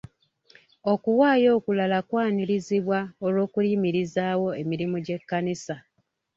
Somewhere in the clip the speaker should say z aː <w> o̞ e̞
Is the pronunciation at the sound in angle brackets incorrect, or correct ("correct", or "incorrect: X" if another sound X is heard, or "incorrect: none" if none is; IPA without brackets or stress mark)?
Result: correct